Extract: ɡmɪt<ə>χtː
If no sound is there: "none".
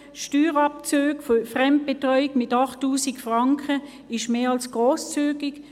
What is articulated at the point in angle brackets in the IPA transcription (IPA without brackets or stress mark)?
ɑ